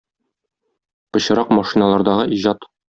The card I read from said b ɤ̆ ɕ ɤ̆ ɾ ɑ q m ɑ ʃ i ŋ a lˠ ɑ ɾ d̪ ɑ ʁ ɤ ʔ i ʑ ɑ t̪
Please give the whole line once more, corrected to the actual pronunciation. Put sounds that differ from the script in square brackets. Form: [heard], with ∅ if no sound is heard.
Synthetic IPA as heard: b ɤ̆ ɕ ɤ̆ ɾ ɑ q m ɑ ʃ i [n] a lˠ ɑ ɾ d̪ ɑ ʁ ɤ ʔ i ʑ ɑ t̪